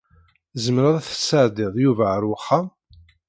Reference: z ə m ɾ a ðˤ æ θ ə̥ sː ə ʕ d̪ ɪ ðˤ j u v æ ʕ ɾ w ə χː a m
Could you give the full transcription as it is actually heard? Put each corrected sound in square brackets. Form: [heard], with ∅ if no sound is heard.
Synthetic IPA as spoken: z ə m ɾ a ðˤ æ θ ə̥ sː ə ʕ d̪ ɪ ðˤ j u v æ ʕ ɾ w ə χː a m